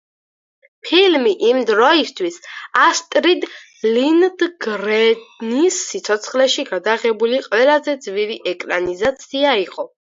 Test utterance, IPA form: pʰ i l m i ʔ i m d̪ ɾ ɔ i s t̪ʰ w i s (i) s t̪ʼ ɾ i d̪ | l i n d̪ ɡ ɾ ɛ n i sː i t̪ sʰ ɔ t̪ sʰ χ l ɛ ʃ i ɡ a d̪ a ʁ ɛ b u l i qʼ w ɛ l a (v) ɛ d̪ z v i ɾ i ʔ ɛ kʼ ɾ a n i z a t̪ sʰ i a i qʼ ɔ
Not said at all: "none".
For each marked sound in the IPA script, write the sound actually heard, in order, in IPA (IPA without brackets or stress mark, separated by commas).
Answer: a, z